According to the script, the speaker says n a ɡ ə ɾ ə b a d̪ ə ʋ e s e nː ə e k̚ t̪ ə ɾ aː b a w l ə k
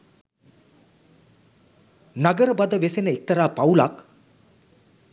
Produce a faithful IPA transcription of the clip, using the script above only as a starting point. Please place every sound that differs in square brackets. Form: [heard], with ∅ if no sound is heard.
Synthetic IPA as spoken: n a ɡ ə ɾ ə b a d̪ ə ʋ e s e [n] ə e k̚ t̪ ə ɾ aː [p] a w l [a] k